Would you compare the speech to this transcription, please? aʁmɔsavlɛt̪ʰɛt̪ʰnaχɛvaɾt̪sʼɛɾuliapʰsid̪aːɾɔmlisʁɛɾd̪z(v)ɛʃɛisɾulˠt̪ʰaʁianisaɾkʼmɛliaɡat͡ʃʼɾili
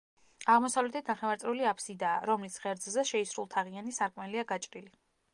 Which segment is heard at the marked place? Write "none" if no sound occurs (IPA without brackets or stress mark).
z